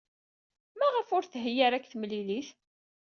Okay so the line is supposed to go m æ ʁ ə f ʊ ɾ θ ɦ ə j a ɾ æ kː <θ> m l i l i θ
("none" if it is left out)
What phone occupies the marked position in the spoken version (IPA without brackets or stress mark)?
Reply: θ